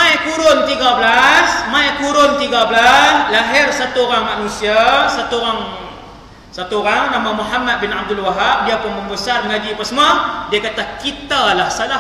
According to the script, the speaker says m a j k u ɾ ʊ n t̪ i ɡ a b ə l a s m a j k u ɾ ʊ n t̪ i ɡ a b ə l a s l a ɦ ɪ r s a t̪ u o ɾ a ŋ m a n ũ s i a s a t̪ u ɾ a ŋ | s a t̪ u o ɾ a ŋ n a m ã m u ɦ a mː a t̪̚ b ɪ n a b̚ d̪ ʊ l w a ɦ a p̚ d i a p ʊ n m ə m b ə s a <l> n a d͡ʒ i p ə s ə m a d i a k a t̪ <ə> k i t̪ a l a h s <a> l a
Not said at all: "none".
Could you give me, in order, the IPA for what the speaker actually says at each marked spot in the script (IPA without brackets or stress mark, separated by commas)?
r, a, a